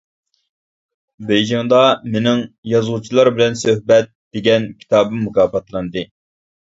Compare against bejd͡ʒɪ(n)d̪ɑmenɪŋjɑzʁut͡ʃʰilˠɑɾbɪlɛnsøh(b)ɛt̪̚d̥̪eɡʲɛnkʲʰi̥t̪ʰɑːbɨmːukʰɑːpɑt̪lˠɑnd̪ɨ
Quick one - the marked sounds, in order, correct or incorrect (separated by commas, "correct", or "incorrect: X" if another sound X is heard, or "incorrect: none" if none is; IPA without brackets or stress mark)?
incorrect: ŋ, correct